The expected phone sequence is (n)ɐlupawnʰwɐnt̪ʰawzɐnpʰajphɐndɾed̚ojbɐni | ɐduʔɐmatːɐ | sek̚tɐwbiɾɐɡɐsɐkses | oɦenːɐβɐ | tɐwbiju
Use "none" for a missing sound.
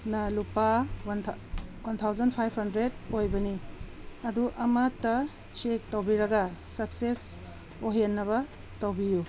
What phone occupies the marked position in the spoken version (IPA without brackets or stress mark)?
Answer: n